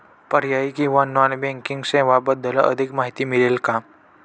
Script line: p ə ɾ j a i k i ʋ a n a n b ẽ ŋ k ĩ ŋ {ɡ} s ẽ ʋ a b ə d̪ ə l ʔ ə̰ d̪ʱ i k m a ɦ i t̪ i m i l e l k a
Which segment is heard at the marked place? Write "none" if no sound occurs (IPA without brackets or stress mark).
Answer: ɡ